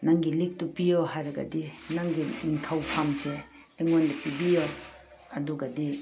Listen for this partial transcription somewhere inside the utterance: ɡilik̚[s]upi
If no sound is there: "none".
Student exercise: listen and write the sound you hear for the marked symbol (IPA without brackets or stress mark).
t